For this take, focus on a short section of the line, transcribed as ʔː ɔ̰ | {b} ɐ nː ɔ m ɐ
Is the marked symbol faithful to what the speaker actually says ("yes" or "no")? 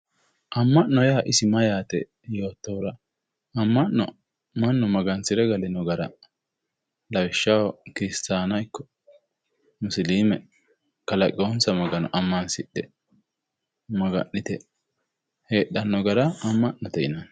no